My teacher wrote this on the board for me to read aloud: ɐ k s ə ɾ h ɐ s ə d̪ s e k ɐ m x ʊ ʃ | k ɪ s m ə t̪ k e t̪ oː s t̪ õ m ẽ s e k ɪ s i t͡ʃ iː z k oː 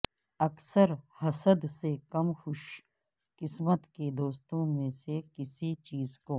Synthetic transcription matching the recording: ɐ k s ə ɾ h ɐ s ə d̪ s e k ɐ m x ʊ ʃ | k ɪ s m ə t̪ k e d̪ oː s t̪ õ m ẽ s e k ɪ s i t͡ʃ iː z k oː